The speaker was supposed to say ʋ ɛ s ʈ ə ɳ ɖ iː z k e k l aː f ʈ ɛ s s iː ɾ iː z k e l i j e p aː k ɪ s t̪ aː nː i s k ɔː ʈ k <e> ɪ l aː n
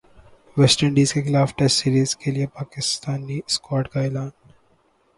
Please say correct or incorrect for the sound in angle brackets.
incorrect